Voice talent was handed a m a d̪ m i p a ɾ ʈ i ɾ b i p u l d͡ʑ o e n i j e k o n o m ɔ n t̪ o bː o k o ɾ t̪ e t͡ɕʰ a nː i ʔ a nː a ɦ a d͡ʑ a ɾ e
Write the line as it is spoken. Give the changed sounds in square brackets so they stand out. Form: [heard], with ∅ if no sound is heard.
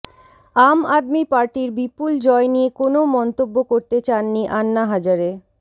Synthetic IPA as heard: a m a d̪ m i p a ɾ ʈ i ɾ b i p u l d͡ʑ [ɔ] e n i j e k o n o m ɔ n t̪ o bː o k o ɾ t̪ e [t͡ɕ] a nː i ʔ a nː a ɦ a d͡ʑ a ɾ e